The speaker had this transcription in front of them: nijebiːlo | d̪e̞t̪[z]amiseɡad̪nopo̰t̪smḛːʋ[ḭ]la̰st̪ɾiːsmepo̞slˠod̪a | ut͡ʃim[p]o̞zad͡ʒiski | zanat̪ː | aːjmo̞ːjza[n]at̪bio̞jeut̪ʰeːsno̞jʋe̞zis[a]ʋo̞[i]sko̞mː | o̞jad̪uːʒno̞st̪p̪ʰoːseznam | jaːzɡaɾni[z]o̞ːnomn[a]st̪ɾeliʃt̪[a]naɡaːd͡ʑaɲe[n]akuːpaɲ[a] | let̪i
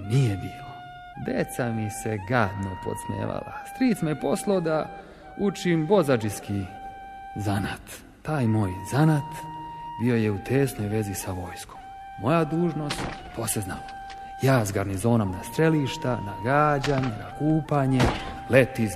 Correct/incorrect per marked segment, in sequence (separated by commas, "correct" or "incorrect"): incorrect, incorrect, incorrect, correct, correct, incorrect, correct, correct, correct, correct, incorrect